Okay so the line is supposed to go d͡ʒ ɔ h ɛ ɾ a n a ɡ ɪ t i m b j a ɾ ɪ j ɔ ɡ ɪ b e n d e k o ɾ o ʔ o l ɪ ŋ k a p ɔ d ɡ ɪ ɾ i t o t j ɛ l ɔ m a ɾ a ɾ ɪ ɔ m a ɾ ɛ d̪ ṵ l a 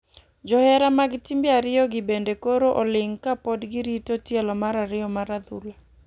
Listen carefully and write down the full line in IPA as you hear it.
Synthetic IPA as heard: d͡ʒ ɔ h ɛ ɾ a m a ɡ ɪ t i m b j a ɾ ɪ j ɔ ɡ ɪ b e n d e k o ɾ o ʔ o l ɪ ŋ k a p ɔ d ɡ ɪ ɾ i t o t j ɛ l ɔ m a ɾ a ɾ ɪ ɔ m a ɾ a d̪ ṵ l a